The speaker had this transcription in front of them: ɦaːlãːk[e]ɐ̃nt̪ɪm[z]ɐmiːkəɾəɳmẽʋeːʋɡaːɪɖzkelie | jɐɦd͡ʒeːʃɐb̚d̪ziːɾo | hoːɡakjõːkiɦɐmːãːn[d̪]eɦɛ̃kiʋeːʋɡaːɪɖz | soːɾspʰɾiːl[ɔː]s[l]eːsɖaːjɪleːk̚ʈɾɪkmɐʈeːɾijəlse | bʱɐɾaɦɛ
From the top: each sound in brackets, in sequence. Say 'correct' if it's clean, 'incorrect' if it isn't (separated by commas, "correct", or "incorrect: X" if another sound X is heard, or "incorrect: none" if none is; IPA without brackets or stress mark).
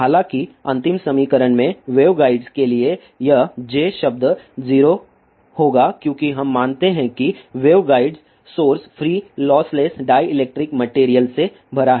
incorrect: i, incorrect: s, incorrect: t̪, correct, correct